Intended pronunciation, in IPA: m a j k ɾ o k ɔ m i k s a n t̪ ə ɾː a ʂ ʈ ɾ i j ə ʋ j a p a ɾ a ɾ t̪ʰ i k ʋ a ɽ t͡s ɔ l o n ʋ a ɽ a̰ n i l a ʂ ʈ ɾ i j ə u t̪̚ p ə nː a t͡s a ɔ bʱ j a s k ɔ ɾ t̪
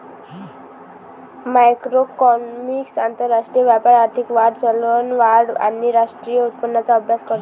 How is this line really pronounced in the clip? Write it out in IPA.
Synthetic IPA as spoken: m a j k ɾ o k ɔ m i k s a n t̪ ə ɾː a ʂ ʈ ɾ i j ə ʋ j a p a ɾ a ɾ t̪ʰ i k ʋ a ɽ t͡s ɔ l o n ʋ a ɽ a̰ n i ɾ a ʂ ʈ ɾ i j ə u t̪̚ p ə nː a t͡s a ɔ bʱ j a s k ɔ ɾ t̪